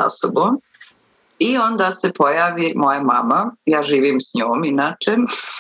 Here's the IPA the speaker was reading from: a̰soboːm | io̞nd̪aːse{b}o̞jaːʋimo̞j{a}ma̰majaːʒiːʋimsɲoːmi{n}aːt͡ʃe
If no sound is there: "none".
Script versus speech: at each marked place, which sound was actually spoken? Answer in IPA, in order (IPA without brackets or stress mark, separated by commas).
p, a, n